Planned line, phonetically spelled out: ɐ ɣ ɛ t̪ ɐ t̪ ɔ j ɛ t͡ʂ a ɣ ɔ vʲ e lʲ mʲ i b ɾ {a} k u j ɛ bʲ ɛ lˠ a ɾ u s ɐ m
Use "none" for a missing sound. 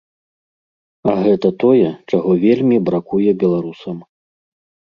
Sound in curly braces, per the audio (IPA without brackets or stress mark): a